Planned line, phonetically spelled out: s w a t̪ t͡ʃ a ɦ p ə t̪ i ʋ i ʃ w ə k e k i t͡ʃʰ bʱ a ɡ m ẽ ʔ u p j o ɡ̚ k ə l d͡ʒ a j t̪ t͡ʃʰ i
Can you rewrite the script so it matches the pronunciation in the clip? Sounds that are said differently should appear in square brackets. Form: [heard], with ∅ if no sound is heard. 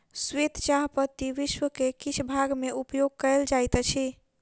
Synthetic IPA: s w [e] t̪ t͡ʃ a ɦ p ə t̪ i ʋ i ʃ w ə k e k i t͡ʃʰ bʱ a ɡ m [e] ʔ u p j o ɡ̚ k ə l d͡ʒ a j t̪ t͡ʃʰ i

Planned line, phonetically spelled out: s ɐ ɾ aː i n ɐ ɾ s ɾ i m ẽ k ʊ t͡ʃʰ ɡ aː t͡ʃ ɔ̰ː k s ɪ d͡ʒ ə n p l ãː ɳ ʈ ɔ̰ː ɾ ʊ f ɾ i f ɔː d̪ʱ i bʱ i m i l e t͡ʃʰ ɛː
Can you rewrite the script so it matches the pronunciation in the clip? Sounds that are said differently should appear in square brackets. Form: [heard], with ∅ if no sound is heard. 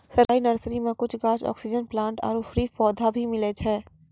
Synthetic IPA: s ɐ ɾ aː i n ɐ ɾ s ɾ i m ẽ k ʊ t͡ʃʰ ɡ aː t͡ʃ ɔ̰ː k s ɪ d͡ʒ ə n p l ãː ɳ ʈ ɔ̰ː ɾ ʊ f ɾ i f ɔː d̪ʱ [a] bʱ i m [ɪ] l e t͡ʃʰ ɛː

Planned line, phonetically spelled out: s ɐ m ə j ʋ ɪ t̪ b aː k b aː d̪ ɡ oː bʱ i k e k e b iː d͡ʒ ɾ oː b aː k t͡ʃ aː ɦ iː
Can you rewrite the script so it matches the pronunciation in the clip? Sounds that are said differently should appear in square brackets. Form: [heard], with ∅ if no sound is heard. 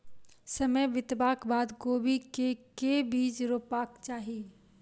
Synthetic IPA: s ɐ m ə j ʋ ɪ t̪ b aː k b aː d̪ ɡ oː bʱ i k e k e b iː d͡ʒ ɾ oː [p] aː k t͡ʃ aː ɦ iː

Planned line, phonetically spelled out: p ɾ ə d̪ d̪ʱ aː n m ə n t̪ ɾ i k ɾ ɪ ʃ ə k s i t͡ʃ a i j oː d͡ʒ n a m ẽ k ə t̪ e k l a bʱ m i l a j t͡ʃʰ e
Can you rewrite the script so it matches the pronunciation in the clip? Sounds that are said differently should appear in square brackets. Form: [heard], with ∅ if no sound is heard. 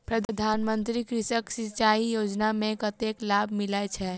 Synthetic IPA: p ɾ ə d̪ d̪ʱ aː n m ə n t̪ ɾ i k ɾ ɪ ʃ ə k s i t͡ʃ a i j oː d͡ʒ n a m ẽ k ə t̪ e k l a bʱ m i l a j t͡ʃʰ [ɛ]

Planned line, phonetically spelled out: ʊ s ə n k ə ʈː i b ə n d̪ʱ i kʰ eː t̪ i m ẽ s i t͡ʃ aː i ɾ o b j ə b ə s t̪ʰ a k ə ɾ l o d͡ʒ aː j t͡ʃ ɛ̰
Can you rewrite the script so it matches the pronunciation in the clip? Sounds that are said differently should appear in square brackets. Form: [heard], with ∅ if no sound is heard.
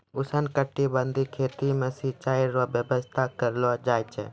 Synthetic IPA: ʊ s ə n k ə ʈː i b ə n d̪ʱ i kʰ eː t̪ i m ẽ s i t͡ʃ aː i ɾ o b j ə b ə s t̪ʰ a k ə ɾ l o d͡ʒ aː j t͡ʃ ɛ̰

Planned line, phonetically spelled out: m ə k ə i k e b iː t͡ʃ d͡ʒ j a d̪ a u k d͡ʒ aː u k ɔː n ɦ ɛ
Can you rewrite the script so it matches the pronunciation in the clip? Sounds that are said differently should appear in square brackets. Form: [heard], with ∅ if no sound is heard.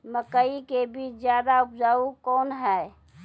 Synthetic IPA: m ə k ə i k e b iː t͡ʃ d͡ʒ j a d̪ a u [p] d͡ʒ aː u k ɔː n ɦ ɛ

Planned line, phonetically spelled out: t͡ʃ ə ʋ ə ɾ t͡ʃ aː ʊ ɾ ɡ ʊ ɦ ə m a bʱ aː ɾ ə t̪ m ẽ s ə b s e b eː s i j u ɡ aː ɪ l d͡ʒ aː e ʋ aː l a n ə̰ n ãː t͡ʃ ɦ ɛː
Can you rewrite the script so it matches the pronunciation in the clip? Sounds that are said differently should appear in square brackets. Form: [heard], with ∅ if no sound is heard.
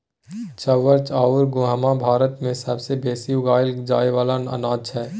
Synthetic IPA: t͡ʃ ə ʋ ə ɾ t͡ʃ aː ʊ ɾ ɡ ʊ ɦ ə m a bʱ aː ɾ ə t̪ m ẽ s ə b s e b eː s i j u ɡ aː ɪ l d͡ʒ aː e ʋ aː l a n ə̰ n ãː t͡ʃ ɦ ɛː

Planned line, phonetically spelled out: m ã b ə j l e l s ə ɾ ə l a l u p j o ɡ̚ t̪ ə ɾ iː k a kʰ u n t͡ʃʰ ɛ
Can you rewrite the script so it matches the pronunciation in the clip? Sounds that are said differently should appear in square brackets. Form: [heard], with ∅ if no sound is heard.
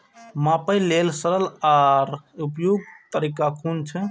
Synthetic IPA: m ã [p] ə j l e l s ə ɾ ə l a [ɾ] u p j o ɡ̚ t̪ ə ɾ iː k a kʰ u n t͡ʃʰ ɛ

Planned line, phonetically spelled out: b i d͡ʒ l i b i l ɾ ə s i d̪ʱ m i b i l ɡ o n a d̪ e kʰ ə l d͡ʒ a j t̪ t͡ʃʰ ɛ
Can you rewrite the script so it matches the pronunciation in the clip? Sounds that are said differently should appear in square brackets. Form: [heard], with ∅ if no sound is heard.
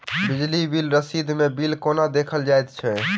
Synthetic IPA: b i d͡ʒ l i b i l ɾ ə s i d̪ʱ m [e] b i l [k] o n a d̪ e kʰ ə l d͡ʒ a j t̪ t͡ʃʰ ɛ

